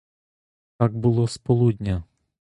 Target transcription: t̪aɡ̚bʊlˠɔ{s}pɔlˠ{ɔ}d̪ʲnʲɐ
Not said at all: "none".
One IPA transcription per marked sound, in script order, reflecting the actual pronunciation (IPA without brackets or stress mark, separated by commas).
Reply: s, u